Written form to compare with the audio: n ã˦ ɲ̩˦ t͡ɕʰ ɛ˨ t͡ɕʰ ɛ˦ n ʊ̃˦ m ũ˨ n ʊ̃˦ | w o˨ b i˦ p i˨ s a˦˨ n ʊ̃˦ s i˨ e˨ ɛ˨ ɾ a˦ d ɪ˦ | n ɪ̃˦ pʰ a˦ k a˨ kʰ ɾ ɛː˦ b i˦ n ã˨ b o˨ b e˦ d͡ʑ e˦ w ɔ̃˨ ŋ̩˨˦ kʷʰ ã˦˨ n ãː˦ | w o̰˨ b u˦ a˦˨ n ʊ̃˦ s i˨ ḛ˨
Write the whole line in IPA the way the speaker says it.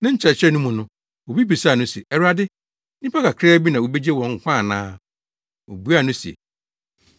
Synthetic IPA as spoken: n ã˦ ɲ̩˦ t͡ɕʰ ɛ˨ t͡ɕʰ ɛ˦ n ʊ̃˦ m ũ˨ n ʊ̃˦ | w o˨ b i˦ p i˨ s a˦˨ n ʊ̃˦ s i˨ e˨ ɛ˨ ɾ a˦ d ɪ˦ | n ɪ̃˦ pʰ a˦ k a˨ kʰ ɾ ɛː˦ b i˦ n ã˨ w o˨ b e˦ d͡ʑ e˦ w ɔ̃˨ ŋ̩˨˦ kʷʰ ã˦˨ n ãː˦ | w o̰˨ b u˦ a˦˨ n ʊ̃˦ s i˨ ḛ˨